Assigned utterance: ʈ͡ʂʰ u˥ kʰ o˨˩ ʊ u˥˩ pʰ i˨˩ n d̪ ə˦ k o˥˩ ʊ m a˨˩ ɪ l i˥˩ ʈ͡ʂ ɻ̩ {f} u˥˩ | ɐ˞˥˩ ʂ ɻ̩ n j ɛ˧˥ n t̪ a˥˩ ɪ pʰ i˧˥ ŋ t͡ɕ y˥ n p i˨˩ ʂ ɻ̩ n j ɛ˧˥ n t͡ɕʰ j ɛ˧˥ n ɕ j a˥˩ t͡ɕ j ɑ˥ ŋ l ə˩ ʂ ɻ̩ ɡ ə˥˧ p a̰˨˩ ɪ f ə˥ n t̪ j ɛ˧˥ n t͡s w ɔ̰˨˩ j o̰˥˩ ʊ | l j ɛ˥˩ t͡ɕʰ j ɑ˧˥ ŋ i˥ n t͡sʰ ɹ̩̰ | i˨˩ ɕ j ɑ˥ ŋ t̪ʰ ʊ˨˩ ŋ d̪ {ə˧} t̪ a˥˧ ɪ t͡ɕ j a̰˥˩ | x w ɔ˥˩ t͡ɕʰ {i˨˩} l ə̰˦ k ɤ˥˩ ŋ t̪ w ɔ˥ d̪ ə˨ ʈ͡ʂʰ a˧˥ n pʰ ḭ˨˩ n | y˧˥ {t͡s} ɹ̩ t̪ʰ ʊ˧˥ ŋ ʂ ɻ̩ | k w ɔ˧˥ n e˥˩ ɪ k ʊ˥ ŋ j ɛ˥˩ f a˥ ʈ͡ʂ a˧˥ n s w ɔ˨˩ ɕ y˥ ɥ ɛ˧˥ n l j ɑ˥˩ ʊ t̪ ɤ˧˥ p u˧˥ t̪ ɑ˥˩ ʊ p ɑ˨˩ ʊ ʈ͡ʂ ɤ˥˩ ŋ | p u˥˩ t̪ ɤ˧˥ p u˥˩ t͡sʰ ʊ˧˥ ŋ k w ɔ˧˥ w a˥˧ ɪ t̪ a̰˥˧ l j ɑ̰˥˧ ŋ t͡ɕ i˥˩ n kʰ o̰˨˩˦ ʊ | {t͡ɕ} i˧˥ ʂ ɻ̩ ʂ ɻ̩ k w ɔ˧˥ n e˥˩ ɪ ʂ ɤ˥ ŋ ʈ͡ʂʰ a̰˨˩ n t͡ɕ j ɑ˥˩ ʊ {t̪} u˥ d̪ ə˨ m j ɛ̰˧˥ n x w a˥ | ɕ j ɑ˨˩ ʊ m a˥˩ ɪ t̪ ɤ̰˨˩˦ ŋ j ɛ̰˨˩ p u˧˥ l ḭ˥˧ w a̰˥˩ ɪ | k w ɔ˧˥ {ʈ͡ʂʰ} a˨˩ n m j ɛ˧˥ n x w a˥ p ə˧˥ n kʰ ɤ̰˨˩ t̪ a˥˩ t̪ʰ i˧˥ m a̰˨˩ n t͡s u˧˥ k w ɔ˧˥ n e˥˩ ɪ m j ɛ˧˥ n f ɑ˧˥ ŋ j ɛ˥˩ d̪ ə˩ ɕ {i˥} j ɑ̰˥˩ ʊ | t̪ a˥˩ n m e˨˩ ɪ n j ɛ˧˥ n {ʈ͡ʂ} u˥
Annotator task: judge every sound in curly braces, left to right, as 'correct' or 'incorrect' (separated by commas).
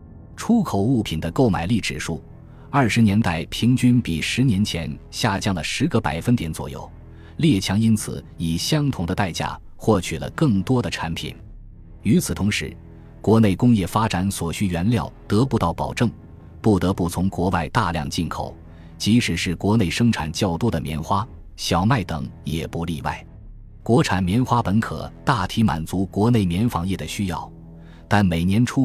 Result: incorrect, correct, incorrect, incorrect, correct, correct, correct, incorrect, incorrect